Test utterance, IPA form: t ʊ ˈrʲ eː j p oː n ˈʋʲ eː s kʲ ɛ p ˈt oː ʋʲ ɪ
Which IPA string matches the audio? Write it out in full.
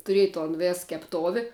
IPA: t ʊ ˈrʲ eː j t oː n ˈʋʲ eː s kʲ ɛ p ˈt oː ʋʲ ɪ